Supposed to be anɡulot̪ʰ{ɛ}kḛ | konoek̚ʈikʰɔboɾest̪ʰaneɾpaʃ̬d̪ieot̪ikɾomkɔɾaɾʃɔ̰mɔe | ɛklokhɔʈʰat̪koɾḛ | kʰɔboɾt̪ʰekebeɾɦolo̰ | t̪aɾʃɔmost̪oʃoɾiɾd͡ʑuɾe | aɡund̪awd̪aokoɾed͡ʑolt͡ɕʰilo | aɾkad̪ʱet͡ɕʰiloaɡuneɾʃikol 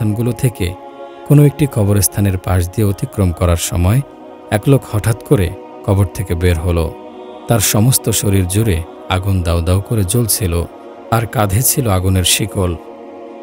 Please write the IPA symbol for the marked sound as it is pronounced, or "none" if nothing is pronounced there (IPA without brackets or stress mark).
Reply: e